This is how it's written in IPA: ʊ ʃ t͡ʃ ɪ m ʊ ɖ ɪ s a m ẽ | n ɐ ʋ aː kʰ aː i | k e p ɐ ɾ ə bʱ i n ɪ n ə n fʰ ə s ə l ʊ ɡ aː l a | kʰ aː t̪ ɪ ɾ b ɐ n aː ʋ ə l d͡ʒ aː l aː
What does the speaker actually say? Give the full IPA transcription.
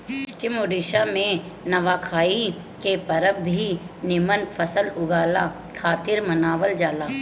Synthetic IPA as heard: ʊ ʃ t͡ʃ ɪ m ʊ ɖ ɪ ʃ a m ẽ | n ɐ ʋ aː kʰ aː i | k e p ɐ ɾ ə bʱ i n ɪ m ə n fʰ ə s ə l ʊ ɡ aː l a | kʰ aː t̪ ɪ ɾ m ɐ n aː ʋ ə l d͡ʒ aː l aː